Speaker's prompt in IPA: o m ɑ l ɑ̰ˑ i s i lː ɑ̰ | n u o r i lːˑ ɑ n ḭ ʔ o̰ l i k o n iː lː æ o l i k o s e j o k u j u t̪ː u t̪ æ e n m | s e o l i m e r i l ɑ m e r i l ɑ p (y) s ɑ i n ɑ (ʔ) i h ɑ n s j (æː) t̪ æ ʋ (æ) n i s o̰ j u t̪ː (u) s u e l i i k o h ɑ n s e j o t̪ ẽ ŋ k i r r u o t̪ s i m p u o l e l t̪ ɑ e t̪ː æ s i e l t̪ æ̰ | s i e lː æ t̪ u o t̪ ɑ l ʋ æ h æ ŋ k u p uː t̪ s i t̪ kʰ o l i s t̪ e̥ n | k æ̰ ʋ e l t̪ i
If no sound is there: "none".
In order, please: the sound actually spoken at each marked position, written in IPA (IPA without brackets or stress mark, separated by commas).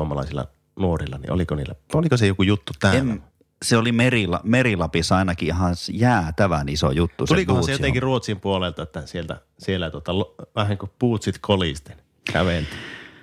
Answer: i, k, æː, æ, u